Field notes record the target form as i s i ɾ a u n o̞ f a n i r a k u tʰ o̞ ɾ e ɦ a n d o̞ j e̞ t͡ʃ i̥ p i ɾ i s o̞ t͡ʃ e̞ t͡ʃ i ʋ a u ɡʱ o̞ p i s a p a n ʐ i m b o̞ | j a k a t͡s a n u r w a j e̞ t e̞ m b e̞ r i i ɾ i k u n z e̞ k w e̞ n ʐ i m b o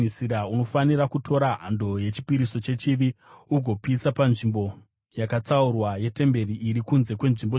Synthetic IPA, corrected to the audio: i s i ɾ a u n o̞ f a n i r a k u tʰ o̞ ɾ a ɦ a n d o̞ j e̞ t͡ʃ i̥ p i ɾ i s o̞ t͡ʃ e̞ t͡ʃ i ʋ i u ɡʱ o̞ p i s a p a n ʐ i m b o̞ | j a k a t͡s a u r w a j e̞ t e̞ m b e̞ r i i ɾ i k u n z e̞ k w e̞ n ʐ i m b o